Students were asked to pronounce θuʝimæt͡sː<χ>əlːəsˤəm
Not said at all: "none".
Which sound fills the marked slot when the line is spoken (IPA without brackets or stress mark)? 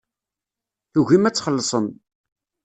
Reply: χ